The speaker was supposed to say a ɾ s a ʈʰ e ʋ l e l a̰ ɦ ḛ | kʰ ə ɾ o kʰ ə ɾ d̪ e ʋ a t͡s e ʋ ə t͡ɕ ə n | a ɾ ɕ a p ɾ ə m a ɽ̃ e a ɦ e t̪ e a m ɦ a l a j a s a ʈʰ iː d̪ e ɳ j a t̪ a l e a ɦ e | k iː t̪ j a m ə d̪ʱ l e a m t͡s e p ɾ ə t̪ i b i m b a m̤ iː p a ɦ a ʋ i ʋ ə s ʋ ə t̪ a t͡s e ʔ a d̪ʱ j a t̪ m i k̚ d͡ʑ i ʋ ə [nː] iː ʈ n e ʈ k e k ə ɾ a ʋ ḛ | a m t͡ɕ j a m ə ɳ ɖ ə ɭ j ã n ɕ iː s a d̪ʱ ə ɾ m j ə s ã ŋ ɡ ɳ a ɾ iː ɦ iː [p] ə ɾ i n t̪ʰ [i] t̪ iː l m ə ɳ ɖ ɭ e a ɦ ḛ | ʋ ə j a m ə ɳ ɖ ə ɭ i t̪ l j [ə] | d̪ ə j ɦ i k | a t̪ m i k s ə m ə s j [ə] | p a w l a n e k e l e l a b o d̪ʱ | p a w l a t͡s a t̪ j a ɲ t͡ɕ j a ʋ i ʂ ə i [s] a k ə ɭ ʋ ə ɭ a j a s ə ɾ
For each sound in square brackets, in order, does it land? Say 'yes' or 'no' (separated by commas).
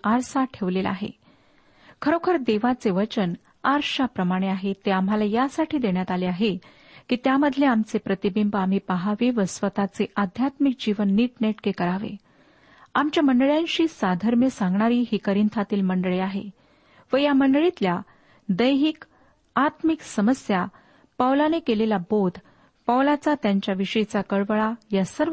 yes, no, no, no, no, no